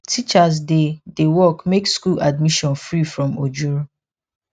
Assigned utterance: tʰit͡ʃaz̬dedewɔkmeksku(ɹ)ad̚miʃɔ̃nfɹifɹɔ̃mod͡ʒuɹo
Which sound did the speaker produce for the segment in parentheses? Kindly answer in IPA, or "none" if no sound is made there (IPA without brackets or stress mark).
l